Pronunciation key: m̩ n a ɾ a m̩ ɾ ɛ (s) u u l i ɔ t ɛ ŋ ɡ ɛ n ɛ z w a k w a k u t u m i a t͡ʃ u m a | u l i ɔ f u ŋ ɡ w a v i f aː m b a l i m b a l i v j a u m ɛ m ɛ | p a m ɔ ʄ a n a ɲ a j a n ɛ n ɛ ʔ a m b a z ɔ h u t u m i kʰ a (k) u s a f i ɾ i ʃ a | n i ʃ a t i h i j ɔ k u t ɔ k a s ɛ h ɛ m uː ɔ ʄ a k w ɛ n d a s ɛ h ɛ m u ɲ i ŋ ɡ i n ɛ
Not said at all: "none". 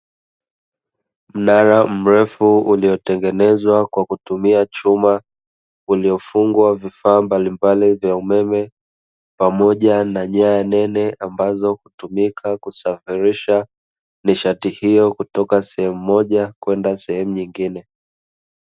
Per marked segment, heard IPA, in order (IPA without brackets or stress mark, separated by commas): f, k